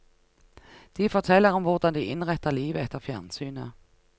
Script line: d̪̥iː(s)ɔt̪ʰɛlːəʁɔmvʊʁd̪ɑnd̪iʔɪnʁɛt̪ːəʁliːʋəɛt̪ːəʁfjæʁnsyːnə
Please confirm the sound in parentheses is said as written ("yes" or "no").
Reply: no